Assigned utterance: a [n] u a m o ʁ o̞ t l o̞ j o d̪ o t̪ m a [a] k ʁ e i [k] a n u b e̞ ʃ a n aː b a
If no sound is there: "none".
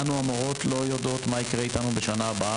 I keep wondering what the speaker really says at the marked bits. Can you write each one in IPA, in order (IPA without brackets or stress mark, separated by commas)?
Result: n, i, t